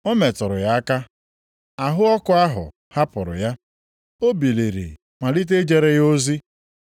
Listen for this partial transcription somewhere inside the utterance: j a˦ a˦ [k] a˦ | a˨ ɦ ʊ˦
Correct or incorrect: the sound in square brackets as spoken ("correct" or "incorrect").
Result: correct